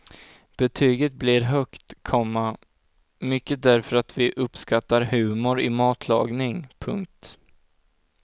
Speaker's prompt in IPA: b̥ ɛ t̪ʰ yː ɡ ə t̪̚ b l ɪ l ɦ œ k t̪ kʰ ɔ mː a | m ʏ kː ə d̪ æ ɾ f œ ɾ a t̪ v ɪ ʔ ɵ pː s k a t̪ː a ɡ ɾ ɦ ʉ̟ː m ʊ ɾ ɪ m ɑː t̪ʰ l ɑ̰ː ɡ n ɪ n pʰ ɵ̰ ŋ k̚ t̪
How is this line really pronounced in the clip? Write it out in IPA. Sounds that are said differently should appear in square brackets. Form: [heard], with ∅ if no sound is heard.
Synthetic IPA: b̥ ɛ t̪ʰ yː ɡ ə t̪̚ b l ɪ [ɾ] ɦ œ k t̪ kʰ ɔ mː a | m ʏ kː ə d̪ æ ɾ f œ ɾ a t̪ v ɪ ʔ ɵ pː s k a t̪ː a [∅] ɾ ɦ ʉ̟ː m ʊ ɾ ɪ m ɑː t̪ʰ l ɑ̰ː ɡ n ɪ [ŋ] pʰ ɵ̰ ŋ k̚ t̪